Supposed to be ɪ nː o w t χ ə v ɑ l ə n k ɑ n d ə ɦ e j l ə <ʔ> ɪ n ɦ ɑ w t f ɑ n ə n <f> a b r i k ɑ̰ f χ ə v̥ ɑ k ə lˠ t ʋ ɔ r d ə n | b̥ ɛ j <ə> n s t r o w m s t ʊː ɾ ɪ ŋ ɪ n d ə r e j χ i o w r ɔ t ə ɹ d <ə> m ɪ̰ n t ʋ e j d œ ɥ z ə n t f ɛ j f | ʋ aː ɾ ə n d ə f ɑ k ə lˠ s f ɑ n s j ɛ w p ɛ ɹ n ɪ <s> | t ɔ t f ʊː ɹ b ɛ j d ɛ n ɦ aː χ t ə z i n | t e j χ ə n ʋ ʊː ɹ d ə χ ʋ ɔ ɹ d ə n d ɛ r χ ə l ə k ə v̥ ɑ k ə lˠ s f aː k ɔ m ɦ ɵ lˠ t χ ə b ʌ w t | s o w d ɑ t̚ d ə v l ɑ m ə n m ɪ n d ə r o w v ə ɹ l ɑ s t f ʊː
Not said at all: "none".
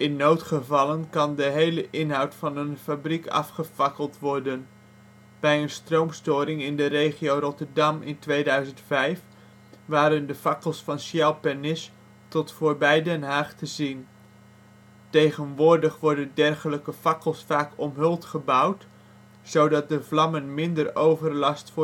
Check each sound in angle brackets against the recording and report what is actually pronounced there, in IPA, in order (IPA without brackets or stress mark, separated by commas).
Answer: ʔ, f, ə, ɑ, s